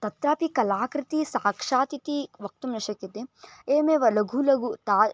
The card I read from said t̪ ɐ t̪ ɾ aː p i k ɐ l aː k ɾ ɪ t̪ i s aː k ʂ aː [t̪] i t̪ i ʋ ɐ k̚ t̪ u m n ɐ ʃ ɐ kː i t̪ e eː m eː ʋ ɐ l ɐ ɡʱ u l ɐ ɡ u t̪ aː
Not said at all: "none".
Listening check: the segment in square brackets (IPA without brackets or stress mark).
t̪